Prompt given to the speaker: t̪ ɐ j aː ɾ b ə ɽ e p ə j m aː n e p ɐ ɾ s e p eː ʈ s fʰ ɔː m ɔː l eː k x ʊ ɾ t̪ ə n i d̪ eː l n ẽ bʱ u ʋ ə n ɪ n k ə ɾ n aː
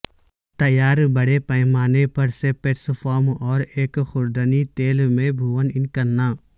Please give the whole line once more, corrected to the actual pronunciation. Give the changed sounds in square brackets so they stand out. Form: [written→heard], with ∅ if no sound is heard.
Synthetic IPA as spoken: t̪ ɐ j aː ɾ b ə ɽ e p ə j m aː n e p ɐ ɾ s e p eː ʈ s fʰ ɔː m ɔː [l→ɾ] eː k x ʊ ɾ [t̪→d̪] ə n i [d̪→t̪] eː l [n→m] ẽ bʱ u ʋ ə n ɪ n k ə ɾ n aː